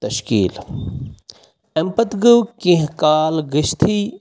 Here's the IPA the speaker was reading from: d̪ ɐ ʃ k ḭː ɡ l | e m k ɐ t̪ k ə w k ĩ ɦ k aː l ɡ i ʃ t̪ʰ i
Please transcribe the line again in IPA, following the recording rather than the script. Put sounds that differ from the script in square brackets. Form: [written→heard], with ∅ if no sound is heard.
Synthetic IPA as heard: [d̪→t̪] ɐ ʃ k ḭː [ɡ→∅] l | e m [k→p] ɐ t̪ [k→ɡ] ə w k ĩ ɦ k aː l ɡ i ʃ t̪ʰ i